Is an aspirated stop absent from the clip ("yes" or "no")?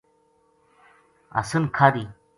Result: no